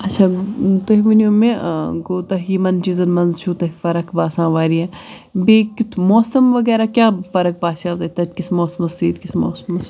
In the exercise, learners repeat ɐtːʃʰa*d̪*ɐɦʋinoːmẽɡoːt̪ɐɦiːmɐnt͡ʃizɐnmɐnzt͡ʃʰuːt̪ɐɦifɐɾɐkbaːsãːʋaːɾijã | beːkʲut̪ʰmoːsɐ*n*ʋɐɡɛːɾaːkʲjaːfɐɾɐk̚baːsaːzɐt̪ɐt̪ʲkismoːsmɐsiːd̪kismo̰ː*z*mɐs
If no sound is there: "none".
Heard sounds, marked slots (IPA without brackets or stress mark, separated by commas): t̪, m, s